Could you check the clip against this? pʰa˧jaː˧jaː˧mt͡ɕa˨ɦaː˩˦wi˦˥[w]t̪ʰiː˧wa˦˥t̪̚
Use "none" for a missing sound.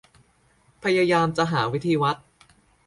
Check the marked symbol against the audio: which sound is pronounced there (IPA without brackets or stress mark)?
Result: none